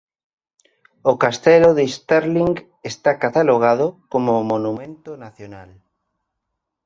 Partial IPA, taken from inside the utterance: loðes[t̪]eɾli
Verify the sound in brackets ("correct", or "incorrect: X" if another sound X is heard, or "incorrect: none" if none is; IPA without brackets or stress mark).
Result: correct